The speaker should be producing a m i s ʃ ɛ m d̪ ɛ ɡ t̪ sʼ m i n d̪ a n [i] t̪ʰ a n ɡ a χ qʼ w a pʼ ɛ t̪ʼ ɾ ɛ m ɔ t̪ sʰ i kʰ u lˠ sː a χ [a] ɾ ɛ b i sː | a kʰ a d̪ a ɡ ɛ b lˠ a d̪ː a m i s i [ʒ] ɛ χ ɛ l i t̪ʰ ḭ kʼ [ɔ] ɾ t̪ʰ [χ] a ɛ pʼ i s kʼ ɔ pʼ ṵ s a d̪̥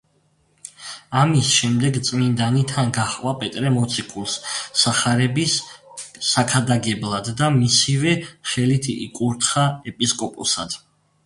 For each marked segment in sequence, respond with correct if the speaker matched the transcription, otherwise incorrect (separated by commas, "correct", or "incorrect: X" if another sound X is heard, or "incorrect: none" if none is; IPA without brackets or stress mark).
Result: correct, correct, incorrect: v, incorrect: u, correct